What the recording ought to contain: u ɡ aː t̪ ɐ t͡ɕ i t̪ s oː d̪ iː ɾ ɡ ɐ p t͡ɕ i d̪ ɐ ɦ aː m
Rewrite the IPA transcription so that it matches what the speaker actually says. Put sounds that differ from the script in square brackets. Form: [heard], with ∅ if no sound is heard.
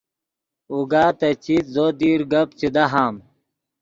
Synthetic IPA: u ɡ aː t̪ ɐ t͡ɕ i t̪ [z] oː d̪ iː ɾ ɡ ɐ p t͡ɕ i d̪ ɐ ɦ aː m